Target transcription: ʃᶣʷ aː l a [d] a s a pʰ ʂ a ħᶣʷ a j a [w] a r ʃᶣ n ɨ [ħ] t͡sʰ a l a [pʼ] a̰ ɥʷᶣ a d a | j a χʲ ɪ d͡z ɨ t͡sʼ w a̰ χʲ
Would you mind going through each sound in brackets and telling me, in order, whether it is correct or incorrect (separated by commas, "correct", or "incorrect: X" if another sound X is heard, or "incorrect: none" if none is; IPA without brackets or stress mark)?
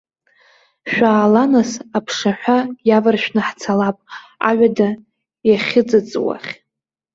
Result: incorrect: n, incorrect: v, correct, correct